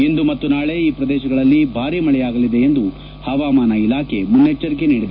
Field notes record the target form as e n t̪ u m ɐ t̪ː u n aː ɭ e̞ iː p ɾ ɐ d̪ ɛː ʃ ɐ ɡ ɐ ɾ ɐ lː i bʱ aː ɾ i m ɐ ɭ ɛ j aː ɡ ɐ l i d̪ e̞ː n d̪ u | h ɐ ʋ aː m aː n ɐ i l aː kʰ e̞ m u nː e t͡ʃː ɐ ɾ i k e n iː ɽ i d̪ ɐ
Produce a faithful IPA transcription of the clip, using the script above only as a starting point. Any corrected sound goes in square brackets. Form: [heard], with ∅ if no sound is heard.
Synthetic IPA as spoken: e n [d̪] u m ɐ t̪ː u n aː ɭ e̞ iː p ɾ ɐ d̪ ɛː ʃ ɐ ɡ ɐ [ɭ] ɐ lː i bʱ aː ɾ i m ɐ ɭ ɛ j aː ɡ ɐ l i d̪ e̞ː n d̪ u | h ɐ ʋ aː m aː n ɐ i l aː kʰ e̞ m u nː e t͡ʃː ɐ ɾ i k e n iː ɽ i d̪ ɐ

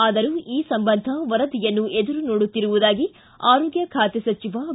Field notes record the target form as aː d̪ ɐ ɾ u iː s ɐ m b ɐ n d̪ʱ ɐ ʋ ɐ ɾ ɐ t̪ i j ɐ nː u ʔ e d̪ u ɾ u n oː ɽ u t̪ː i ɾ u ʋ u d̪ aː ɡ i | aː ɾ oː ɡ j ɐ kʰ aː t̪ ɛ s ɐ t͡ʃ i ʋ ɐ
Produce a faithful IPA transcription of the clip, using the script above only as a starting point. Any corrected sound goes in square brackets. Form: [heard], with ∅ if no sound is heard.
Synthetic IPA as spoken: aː d̪ ɐ ɾ u iː s ɐ m b ɐ n d̪ʱ ɐ ʋ ɐ ɾ ɐ [d̪] i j ɐ nː u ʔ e d̪ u ɾ u n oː ɽ u t̪ː i ɾ u ʋ u d̪ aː ɡ i | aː ɾ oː ɡ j ɐ kʰ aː t̪ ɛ s ɐ t͡ʃ i ʋ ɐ

